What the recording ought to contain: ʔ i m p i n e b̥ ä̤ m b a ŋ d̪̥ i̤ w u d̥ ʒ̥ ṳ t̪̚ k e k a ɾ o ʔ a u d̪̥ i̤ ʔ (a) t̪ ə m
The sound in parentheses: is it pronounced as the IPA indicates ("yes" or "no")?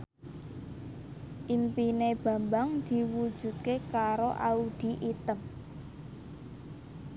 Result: no